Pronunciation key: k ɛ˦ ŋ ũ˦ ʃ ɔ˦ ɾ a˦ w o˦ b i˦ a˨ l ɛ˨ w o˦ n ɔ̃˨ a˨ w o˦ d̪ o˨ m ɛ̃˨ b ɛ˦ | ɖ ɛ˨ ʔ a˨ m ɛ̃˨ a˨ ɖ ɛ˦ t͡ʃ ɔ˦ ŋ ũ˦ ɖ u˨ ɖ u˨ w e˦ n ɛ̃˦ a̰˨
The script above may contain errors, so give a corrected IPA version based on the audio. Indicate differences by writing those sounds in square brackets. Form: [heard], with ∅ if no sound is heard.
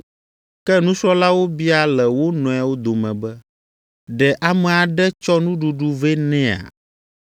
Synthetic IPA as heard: k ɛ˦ [n] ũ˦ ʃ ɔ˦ [l] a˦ w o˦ b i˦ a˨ l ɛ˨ w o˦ n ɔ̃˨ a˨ w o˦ d̪ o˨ m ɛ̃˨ b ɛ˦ | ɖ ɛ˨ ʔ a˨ m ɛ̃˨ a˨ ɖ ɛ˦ t͡ʃ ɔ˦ [n] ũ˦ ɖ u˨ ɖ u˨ [v] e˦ n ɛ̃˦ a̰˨